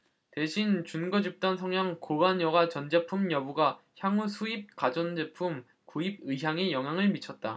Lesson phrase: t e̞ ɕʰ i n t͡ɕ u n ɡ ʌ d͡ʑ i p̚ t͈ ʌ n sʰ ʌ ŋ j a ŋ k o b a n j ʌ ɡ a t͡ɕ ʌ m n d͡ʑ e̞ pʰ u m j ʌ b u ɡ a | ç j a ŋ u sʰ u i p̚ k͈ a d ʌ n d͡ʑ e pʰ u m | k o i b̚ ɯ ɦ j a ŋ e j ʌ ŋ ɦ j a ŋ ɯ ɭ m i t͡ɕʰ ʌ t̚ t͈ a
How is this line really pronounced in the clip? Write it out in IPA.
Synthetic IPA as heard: t e̞ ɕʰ i n t͡ɕ u n ɡ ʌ d͡ʑ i p̚ t͈ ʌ n sʰ ʌ ŋ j a ŋ k o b a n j ʌ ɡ a t͡ɕ ʌ n d͡ʑ e̞ pʰ u m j ʌ b u ɡ a | ç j a ŋ u sʰ u i p̚ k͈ a d͡ʑ ʌ n d͡ʑ e pʰ u m | k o i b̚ ɯ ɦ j a ŋ e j ʌ ŋ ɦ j a ŋ ɯ ɭ m i t͡ɕʰ ʌ t̚ t͈ a